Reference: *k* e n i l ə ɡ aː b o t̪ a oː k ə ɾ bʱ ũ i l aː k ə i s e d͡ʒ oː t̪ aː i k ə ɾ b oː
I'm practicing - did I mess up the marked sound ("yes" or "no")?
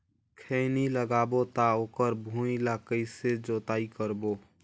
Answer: yes